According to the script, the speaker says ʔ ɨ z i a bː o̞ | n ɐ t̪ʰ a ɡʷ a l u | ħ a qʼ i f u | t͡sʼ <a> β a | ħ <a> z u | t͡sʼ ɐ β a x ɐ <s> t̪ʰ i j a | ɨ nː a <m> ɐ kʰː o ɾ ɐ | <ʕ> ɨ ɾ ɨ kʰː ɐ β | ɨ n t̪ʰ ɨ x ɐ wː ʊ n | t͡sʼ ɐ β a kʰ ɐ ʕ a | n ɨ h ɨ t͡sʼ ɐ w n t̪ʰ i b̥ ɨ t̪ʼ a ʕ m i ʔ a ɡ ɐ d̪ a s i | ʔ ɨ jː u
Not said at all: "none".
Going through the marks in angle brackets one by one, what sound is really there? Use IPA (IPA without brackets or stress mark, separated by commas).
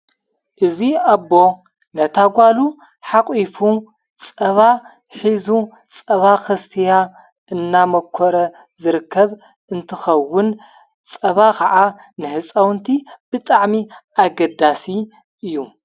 ɐ, i, s, m, z